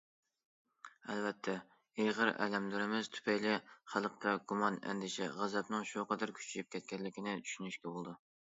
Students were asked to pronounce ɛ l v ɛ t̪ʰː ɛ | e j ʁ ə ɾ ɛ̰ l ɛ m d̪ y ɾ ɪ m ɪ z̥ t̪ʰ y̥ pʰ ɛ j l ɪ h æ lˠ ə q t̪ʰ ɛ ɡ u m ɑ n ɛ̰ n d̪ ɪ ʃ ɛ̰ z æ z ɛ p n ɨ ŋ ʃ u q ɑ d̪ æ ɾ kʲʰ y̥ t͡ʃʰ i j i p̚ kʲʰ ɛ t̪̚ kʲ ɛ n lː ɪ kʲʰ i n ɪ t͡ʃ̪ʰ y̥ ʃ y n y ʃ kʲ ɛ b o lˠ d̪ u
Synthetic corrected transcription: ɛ l v ɛ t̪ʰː ɛ | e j ʁ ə ɾ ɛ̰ l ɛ m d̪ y ɾ ɪ m ɪ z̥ t̪ʰ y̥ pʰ ɛ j l ɪ χ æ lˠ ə q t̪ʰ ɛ ɡ u m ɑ n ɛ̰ n d̪ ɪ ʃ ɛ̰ ʁ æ z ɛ p n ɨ ŋ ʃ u q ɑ d̪ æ ɾ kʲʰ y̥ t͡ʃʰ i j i p̚ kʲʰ ɛ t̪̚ kʲ ɛ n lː ɪ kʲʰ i n ɪ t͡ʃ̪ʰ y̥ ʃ y n y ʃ kʲ ɛ b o lˠ d̪ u

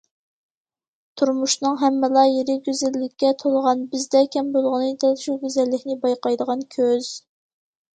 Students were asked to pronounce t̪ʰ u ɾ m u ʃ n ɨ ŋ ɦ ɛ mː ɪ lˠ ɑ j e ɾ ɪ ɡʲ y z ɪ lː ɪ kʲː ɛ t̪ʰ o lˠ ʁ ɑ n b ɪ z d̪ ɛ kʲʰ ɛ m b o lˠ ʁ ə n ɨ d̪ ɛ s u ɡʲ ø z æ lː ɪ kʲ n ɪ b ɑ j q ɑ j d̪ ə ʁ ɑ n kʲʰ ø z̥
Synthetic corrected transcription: t̪ʰ u ɾ m u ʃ n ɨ ŋ ɦ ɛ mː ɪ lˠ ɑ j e ɾ ɪ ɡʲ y z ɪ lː ɪ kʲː ɛ t̪ʰ o lˠ ʁ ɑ n b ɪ z d̪ ɛ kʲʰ ɛ m b o lˠ ʁ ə n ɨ d̪ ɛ ʃ u ɡʲ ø z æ lː ɪ kʲ n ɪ b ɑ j q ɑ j d̪ ə ʁ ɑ n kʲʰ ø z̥

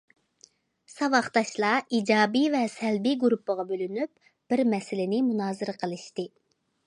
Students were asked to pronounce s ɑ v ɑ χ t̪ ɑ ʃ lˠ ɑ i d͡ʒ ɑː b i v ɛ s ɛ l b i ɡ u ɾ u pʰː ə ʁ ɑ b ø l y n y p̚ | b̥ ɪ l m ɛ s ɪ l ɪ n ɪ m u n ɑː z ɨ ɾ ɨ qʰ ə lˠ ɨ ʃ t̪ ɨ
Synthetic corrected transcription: s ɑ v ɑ χ t̪ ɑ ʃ lˠ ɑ i d͡ʒ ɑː b i v ɛ s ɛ l b i ɡ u ɾ u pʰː ə ʁ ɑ b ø l y n y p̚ | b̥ ɪ ɾ m ɛ s ɪ l ɪ n ɪ m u n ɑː z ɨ ɾ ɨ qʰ ə lˠ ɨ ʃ t̪ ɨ

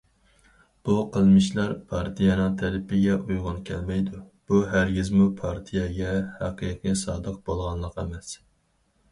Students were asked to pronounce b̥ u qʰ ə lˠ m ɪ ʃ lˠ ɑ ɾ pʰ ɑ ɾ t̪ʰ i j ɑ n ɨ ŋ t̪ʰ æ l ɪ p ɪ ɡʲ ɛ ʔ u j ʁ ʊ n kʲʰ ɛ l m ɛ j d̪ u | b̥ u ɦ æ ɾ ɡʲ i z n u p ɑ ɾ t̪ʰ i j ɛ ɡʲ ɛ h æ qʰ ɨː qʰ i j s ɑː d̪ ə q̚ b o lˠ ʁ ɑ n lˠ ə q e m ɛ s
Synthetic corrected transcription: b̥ u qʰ ə lˠ m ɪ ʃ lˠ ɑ ɾ pʰ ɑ ɾ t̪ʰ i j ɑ n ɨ ŋ t̪ʰ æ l ɪ p ɪ ɡʲ ɛ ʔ u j ʁ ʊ n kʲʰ ɛ l m ɛ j d̪ u | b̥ u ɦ æ ɾ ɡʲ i z m u pʰ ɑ ɾ t̪ʰ i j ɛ ɡʲ ɛ h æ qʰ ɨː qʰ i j s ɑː d̪ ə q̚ b o lˠ ʁ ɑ n lˠ ə q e m ɛ s

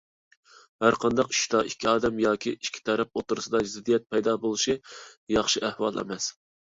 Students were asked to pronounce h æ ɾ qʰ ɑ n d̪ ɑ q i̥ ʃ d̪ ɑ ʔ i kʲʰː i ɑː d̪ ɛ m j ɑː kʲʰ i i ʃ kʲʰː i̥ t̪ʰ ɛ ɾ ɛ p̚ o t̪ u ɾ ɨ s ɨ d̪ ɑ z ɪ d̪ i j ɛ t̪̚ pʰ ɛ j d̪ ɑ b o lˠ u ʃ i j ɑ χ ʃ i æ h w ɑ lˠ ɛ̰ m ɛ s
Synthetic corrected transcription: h æ ɾ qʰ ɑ n d̪ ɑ q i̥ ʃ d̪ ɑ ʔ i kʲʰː i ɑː d̪ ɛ m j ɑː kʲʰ i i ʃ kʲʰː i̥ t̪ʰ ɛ ɾ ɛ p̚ o t̪ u ɾ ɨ s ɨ d̪ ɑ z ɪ d̪ i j ɛ t̪̚ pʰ ɛ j d̪ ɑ b o lˠ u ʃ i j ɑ χ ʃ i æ h w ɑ lˠ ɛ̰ m ɛ s

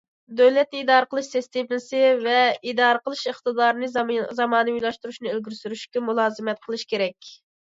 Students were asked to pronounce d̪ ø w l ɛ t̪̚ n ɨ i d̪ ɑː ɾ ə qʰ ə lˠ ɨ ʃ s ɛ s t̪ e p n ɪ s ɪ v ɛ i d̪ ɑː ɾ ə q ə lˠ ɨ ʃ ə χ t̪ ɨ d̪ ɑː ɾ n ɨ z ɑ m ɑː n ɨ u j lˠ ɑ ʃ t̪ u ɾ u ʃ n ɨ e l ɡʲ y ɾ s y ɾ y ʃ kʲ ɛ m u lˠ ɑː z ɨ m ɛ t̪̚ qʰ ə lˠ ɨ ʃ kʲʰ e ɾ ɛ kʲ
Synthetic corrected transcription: d̪ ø w l ɛ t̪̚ n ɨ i d̪ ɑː ɾ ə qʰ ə lˠ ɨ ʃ s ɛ s t̪ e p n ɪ s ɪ v ɛ i d̪ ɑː ɾ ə q ə lˠ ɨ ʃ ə χ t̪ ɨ d̪ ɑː ɾ n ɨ z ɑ m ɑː n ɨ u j lˠ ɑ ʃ t̪ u ɾ u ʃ n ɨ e l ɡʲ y ɾ s y ɾ y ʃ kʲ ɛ m u lˠ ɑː z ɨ m ɛ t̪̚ qʰ ə lˠ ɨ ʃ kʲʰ e ɾ ɛ kʲ

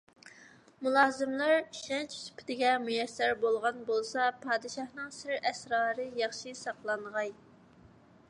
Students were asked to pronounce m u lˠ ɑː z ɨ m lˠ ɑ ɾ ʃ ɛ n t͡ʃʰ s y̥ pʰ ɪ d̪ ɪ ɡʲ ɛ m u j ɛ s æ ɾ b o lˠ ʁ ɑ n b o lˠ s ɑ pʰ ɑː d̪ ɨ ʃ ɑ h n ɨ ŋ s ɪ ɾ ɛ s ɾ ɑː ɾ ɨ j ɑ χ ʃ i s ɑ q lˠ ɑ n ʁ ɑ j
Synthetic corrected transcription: m u lˠ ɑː z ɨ m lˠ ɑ ɾ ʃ ɛ n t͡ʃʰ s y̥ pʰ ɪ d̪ ɪ ɡʲ ɛ m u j ɛ s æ ɾ b o lˠ ʁ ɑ n b o lˠ s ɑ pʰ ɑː d̪ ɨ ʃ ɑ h n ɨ ŋ s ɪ ɾ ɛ s ɾ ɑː ɾ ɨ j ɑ χ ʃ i s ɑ q lˠ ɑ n ʁ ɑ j

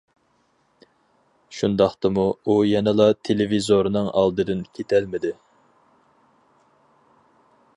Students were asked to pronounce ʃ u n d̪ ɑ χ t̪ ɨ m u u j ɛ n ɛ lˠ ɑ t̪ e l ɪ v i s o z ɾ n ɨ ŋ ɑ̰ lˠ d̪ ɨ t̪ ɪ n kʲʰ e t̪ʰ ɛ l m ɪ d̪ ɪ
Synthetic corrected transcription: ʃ u n d̪ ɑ χ t̪ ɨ m u u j ɛ n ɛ lˠ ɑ t̪ʰ e l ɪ v i z o ɾ n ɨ ŋ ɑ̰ lˠ d̪ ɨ d̪ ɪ n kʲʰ e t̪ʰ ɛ l m ɪ d̪ ɪ

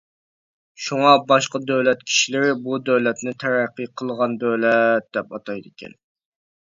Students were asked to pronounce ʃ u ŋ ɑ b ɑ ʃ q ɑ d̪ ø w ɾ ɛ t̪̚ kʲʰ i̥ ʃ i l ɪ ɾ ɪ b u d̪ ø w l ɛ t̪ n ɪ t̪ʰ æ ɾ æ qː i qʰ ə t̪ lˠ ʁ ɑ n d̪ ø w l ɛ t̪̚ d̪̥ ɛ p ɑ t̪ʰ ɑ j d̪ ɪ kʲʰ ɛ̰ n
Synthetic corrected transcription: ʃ u ŋ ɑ b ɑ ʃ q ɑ d̪ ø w l ɛ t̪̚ kʲʰ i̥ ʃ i l ɪ ɾ ɪ b u d̪ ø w l ɛ t̪ n ɪ t̪ʰ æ ɾ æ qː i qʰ ə lˠ ʁ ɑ n d̪ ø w l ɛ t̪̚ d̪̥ ɛ p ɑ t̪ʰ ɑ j d̪ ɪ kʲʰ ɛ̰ n

